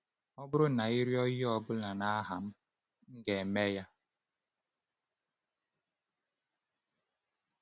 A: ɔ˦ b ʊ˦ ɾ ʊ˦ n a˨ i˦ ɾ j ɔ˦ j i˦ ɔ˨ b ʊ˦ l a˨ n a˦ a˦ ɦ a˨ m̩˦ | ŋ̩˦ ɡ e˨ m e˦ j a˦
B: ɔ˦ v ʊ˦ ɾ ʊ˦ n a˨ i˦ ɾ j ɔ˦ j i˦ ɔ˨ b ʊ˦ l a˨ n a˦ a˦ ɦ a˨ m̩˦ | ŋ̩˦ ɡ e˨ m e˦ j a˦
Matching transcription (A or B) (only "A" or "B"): A